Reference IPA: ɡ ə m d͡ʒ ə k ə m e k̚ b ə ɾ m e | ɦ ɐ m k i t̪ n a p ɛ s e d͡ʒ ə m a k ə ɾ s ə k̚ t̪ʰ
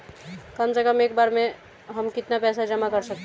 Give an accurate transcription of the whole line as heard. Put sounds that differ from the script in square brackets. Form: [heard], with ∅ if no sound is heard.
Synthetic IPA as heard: [k] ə m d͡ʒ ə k ə m e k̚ b [a] ɾ m e | ɦ [ə] m k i t̪ n a p ɛ s [a] d͡ʒ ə m a k ə ɾ s ə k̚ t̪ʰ